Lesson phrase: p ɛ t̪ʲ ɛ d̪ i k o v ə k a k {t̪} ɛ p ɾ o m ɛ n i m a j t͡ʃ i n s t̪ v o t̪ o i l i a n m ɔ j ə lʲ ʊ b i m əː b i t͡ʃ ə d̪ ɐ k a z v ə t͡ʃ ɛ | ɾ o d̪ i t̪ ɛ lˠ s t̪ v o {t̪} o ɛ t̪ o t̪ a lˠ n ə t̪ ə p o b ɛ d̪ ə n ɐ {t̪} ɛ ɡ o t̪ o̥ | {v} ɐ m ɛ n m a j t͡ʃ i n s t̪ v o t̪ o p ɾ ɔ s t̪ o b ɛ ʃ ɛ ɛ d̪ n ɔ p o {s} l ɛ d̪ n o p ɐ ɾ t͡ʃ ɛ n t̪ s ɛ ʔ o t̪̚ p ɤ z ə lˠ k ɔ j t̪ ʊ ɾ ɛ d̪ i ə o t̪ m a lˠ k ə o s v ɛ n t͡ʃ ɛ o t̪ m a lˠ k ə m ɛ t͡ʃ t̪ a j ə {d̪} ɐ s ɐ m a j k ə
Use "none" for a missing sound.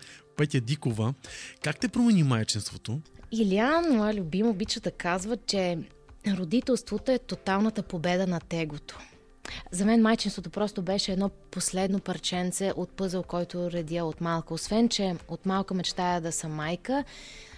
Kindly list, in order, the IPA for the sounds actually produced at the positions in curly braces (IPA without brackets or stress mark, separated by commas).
t̪, t̪, t̪, z, s, d̪